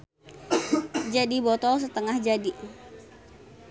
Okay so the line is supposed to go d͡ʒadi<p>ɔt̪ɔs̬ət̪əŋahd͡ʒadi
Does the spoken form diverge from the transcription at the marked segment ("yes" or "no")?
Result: yes